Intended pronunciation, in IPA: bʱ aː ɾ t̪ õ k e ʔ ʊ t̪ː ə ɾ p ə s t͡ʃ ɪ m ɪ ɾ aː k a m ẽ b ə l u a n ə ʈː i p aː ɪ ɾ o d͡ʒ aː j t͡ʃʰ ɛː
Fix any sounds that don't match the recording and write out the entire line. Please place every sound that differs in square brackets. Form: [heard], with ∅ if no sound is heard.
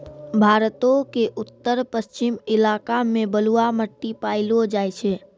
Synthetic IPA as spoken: bʱ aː ɾ t̪ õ k e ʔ ʊ t̪ː ə ɾ p ə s t͡ʃ ɪ m ɪ [l] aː k a m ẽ b ə l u a [m] ə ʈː i p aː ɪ [l] o d͡ʒ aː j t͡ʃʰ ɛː